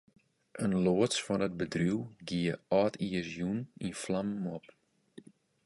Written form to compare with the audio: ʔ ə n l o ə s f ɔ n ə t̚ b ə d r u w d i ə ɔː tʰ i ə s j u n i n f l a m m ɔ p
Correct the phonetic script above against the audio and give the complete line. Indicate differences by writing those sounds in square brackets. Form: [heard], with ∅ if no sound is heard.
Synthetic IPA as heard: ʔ ə n l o ə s f ɔ n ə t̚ b ə d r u w [ɡ] i ə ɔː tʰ i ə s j u n i n f l a m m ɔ p